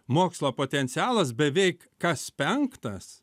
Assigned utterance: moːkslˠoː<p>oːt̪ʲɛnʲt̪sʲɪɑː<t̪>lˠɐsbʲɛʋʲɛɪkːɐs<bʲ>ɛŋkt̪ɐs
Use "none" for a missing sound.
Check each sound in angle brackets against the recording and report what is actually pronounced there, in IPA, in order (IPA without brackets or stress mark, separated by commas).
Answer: p, none, pʲ